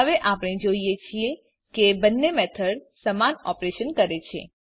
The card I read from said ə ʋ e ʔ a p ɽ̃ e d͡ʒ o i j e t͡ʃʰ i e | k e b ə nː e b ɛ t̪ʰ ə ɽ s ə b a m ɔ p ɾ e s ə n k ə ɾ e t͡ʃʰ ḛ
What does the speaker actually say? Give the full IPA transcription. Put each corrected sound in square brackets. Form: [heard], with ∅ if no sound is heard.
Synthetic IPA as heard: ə ʋ e ʔ a p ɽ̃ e d͡ʒ o i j e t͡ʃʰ i e | k e b ə nː e [m] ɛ t̪ʰ ə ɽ s ə [m] a [n] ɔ p ɾ e [ʃ] ə n k ə ɾ e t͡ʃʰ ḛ

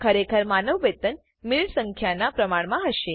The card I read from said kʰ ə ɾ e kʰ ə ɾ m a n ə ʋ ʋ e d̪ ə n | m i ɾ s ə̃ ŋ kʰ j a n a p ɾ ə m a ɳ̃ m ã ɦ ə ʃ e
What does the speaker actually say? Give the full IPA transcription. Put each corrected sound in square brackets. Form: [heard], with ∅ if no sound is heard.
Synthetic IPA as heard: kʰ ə ɾ e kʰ ə ɾ m a n ə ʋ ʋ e [t̪] ə n | m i [ɭ] s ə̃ ŋ kʰ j a n a p ɾ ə m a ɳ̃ m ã ɦ ə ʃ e

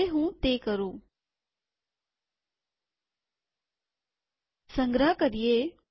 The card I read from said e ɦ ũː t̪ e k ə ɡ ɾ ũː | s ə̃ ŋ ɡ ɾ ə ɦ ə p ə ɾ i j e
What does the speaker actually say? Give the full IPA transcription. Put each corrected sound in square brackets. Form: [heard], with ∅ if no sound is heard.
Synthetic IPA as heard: e ɦ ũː t̪ e k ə [∅] ɾ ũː | s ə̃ ŋ ɡ ɾ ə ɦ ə [k] ə ɾ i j e

